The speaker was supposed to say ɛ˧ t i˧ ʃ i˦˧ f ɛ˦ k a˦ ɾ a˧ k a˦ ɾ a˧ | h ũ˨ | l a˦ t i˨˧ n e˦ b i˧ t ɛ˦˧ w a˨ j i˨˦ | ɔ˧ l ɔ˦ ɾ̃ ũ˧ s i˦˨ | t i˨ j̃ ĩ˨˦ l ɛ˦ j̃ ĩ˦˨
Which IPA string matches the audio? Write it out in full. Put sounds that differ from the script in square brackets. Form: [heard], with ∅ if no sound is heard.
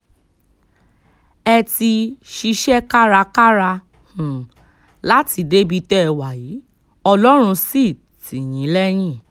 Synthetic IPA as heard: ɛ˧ t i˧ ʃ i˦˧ [ʃ] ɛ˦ k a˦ ɾ a˧ k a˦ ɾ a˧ | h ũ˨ | l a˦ t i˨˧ [d] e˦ b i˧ t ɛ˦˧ w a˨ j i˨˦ | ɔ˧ l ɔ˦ ɾ̃ ũ˧ s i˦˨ | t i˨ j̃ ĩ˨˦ l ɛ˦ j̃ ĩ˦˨